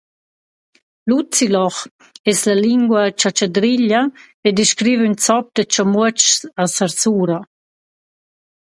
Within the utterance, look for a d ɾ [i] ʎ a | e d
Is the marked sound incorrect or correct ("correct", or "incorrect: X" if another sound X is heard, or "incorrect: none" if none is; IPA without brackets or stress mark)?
correct